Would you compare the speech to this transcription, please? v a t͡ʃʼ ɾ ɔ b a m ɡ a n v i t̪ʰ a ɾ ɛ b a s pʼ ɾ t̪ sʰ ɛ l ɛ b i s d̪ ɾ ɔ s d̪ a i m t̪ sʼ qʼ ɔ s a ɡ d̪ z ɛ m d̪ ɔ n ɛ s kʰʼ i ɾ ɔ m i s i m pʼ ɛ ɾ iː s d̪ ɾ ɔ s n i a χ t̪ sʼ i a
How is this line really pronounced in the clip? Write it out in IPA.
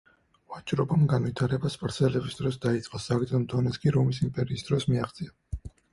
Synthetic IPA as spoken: v a t͡ʃʼ ɾ ɔ b a m ɡ a n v i t̪ʰ a ɾ ɛ b a s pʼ ɾ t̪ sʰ ɛ l ɛ b i s d̪ ɾ ɔ s d̪ a i t̪ sʼ qʼ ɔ s a ɡ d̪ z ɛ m d̪ ɔ n ɛ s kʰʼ i ɾ ɔ m i s i m pʼ ɛ ɾ iː s d̪ ɾ ɔ s m i a χ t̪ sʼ i a